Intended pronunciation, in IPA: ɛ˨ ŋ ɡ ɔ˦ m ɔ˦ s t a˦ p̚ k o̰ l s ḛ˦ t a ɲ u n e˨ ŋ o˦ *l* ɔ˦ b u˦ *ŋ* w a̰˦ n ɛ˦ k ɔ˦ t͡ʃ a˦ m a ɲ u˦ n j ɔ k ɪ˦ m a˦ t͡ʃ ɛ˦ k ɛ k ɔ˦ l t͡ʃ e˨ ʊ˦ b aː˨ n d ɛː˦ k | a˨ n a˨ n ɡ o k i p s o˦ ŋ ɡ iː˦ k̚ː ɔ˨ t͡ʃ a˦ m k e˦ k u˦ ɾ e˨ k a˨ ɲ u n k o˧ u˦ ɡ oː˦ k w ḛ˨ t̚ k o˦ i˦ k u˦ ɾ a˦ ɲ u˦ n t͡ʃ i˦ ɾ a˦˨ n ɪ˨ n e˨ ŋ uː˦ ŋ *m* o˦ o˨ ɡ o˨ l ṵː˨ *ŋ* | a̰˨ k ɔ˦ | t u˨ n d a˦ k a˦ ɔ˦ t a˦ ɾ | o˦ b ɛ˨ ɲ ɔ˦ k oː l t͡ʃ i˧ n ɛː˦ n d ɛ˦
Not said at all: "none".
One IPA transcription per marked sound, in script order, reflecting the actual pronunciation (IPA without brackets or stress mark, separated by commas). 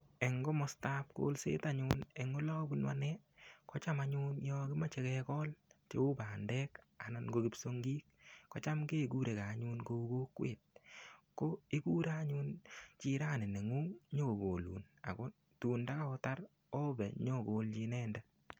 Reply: l, n, ɲ, n